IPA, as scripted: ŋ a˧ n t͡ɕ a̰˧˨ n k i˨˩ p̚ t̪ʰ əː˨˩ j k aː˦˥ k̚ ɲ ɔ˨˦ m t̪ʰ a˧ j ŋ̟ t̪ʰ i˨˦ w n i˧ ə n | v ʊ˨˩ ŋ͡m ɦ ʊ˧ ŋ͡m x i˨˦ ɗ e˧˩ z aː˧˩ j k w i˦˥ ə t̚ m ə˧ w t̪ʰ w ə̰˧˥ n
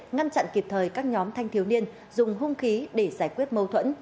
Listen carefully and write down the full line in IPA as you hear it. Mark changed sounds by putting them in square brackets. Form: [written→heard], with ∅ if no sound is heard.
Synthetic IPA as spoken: ŋ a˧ n t͡ɕ a̰˧˨ n k i˨˩ p̚ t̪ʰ əː˨˩ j k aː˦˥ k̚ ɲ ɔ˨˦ m t̪ʰ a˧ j ŋ̟ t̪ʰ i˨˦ w n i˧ ə n | [v→z] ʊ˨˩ ŋ͡m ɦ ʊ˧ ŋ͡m x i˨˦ ɗ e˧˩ z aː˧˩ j k w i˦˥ ə t̚ m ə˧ w t̪ʰ w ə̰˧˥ n